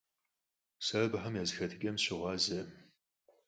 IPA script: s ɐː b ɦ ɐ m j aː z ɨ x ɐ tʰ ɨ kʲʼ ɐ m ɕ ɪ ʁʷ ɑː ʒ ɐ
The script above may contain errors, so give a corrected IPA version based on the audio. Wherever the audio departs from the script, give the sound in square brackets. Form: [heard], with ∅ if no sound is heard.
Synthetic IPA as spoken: s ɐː b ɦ ɐ m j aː z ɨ x ɐ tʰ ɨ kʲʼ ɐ m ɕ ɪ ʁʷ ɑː [z] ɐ